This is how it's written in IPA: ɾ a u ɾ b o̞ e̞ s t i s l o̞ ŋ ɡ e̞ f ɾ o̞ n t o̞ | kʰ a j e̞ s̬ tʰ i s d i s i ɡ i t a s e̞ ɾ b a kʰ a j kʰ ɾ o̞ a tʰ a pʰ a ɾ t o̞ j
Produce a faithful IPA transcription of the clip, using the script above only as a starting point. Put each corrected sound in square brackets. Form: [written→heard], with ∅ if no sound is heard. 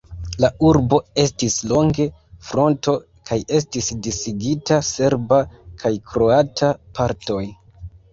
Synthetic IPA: [ɾ→l] a u ɾ b o̞ e̞ s t i s l o̞ ŋ ɡ e̞ f ɾ o̞ n t o̞ | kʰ a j e̞ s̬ [tʰ→t] i s d i s i ɡ i t a s e̞ ɾ b a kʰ a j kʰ ɾ o̞ a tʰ a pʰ a ɾ t o̞ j